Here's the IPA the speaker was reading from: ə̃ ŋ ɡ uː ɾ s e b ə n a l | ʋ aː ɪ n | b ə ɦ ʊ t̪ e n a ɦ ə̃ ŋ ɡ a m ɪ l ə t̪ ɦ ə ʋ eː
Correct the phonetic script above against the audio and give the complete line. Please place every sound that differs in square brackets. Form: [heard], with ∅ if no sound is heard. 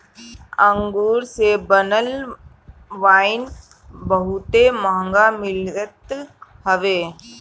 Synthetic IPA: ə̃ ŋ ɡ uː ɾ s e b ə n [ə] l | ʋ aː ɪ n | b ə ɦ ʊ t̪ e [m] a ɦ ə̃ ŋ ɡ a m ɪ l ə t̪ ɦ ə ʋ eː

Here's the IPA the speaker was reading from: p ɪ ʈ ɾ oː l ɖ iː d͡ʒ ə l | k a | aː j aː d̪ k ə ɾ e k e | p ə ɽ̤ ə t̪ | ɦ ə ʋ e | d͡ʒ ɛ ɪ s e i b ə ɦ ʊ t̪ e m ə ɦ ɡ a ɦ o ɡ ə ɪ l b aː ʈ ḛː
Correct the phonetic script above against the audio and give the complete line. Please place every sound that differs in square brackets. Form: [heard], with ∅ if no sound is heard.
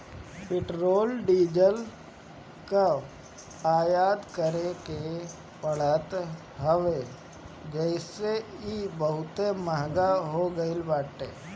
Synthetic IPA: p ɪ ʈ ɾ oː l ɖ iː d͡ʒ ə l | k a | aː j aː d̪ k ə ɾ e k e | p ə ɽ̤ ə t̪ | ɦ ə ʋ e | d͡ʒ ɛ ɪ s e i b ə ɦ ʊ t̪ e m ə ɦ ɡ a ɦ o ɡ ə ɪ l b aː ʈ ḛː

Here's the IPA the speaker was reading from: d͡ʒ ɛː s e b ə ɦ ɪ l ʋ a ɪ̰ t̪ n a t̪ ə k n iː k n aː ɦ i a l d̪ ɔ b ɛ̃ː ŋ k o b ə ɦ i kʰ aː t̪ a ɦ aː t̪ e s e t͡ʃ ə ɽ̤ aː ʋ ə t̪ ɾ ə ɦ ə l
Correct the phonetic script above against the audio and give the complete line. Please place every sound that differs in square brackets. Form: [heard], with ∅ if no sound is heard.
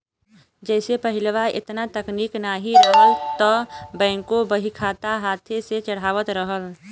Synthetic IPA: d͡ʒ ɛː s e [p] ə ɦ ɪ l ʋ a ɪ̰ t̪ n a t̪ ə k n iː k n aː ɦ i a l [t̪] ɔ b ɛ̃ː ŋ k o b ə ɦ i kʰ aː t̪ a ɦ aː [t̪ʰ] e s e t͡ʃ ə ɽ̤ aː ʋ ə t̪ ɾ ə ɦ ə l

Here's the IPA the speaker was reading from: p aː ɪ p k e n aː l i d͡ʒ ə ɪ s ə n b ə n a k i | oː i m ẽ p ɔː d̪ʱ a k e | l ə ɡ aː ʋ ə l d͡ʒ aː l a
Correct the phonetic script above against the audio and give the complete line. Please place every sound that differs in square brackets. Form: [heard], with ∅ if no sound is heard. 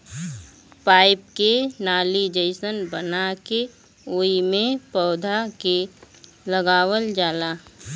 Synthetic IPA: p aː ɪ p k e n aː l i d͡ʒ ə ɪ s ə n b ə n a k [e] | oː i m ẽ p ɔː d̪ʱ a k e | l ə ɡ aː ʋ ə l d͡ʒ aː l a

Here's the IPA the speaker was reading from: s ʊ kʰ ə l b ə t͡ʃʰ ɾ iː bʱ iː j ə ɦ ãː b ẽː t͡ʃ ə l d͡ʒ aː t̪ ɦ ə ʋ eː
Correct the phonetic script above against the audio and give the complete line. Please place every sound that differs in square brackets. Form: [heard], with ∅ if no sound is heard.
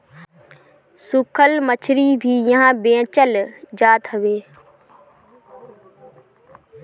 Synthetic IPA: s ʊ kʰ ə l [m] ə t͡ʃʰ ɾ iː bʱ iː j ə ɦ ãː b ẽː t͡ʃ ə l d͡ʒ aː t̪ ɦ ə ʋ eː

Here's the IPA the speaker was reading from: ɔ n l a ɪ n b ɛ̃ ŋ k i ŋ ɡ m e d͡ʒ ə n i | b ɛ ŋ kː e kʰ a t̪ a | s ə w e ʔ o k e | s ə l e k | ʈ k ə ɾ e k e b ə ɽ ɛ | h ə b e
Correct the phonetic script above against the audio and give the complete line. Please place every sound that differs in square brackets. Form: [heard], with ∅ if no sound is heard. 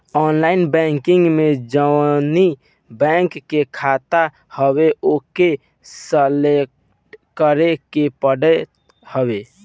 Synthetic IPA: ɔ n l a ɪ n b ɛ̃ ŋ k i ŋ ɡ m e d͡ʒ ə n i | b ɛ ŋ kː e kʰ a t̪ a | [h] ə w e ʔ o k e | s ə l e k | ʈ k ə ɾ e k e [p] ə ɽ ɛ | h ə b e

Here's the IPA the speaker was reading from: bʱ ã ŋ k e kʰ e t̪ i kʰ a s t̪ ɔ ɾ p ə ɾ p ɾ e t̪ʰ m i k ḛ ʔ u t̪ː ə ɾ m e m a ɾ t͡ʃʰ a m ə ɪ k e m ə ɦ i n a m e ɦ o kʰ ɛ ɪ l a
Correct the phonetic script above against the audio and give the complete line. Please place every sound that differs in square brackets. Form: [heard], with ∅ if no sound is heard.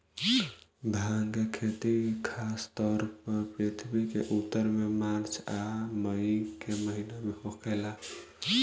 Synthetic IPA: bʱ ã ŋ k e kʰ e t̪ i kʰ a s t̪ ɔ ɾ p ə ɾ p ɾ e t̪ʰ [b] i k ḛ ʔ u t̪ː ə ɾ m e m a ɾ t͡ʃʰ a m ə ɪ k e m ə ɦ i n a m e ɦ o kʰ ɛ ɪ l a

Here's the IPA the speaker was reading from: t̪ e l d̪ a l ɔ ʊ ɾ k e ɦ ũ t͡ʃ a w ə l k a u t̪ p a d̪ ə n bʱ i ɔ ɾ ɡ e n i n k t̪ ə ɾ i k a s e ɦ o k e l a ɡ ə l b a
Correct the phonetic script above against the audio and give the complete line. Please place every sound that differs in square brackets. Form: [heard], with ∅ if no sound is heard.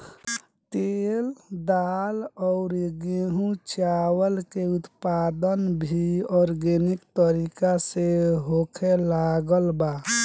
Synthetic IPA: t̪ e l d̪ a l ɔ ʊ ɾ [ɡ] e ɦ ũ t͡ʃ a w ə l k [e] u t̪ p a d̪ ə n bʱ i ɔ ɾ ɡ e n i [∅] k t̪ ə ɾ i k a s e ɦ o [kʰ] e l a ɡ ə l b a

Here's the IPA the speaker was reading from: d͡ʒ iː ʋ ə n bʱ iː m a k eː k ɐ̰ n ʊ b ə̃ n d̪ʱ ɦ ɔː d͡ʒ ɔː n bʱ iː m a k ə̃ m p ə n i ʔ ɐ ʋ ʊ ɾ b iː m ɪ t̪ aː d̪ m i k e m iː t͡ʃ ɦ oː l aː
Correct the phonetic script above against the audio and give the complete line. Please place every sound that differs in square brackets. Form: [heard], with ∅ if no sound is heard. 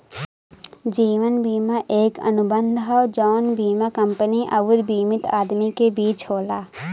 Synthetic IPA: d͡ʒ iː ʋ ə n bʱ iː m a [ʔ] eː k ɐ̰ n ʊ b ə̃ n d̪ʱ ɦ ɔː d͡ʒ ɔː n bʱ iː m a k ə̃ m p ə n i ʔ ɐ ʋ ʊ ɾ b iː m ɪ t̪ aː d̪ m i k e [b] iː t͡ʃ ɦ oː l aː

